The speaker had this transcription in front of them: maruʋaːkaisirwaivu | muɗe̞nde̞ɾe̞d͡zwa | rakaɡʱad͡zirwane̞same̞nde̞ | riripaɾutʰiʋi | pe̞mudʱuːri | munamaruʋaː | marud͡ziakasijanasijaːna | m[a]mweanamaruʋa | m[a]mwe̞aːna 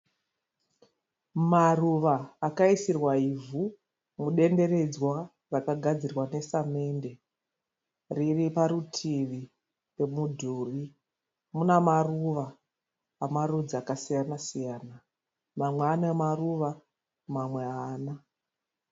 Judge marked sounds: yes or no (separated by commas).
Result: yes, yes